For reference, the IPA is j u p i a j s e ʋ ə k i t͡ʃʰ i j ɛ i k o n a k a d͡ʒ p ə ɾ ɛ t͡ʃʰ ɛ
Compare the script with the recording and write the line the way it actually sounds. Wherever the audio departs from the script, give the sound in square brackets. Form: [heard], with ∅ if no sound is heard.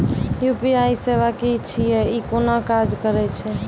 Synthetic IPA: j u p i a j s e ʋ [a] k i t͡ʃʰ i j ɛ i k o n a k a d͡ʒ [k] ə ɾ ɛ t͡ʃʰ ɛ